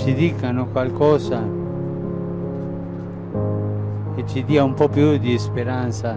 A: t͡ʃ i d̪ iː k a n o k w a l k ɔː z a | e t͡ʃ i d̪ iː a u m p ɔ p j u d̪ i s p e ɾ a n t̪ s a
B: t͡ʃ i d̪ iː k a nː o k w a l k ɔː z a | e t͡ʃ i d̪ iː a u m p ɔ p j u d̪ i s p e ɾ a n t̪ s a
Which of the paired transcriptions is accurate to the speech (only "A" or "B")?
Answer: A